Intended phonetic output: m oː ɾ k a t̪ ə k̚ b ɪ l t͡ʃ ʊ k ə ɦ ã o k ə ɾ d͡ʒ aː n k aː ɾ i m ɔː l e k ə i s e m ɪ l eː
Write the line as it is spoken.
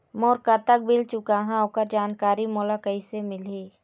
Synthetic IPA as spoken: m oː ɾ k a t̪ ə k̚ b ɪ l t͡ʃ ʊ k a ɦ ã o k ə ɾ d͡ʒ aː n k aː ɾ i m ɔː l a k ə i s e m ɪ l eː